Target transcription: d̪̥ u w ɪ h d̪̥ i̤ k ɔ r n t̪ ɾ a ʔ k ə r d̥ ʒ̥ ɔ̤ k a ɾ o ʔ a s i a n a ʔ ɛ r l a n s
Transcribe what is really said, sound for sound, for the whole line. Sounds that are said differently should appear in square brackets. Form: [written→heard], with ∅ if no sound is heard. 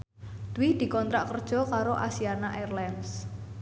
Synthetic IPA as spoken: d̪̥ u w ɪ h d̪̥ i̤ k ɔ [r→∅] n t̪ ɾ a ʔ k ə r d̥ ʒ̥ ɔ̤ k a ɾ o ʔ a s i a n a ʔ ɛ r l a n s